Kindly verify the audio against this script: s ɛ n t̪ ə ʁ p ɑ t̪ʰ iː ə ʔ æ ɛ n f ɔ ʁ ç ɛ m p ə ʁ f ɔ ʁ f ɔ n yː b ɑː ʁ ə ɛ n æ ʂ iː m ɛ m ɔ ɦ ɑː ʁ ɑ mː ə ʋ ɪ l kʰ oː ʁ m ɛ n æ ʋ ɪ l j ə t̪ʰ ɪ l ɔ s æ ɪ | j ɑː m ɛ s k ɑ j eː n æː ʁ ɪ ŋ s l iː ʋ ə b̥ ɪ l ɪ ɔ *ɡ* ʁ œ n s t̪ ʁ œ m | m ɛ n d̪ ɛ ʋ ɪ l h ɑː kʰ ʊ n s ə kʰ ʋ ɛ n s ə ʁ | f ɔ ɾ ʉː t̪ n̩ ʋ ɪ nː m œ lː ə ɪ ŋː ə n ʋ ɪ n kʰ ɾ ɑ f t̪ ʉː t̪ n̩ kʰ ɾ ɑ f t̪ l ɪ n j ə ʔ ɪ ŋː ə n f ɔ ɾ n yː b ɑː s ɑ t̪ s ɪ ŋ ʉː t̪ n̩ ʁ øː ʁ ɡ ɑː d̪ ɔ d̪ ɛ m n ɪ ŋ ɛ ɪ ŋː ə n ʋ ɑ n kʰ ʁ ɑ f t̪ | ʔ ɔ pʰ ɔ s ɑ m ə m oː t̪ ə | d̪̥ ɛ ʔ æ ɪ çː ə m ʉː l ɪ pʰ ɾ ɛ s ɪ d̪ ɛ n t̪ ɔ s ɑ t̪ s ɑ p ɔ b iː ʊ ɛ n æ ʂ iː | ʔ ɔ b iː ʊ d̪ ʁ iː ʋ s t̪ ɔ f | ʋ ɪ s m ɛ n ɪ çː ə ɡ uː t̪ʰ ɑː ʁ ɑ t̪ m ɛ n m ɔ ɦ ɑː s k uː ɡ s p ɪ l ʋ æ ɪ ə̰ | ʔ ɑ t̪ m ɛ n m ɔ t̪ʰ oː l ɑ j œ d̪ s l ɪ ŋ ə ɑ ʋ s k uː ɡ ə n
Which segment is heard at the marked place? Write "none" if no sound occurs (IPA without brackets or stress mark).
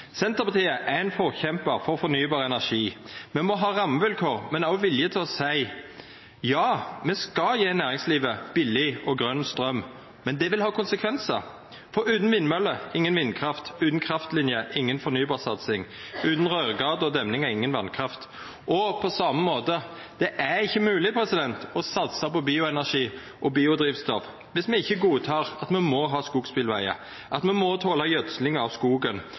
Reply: ɡ